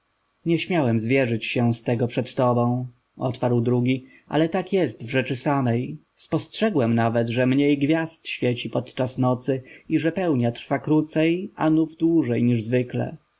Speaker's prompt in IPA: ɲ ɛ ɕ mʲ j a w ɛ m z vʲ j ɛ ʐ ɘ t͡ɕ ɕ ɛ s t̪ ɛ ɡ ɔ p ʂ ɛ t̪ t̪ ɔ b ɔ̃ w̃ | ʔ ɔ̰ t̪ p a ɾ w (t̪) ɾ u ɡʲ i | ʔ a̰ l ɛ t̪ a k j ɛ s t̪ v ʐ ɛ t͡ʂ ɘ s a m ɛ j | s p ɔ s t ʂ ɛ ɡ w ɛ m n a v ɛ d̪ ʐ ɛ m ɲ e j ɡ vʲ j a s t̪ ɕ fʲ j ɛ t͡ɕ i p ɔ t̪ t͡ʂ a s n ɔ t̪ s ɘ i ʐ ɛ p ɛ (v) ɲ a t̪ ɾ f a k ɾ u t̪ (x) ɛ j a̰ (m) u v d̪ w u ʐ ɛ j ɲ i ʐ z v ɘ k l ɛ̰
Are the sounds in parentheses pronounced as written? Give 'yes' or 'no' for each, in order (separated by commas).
no, no, no, no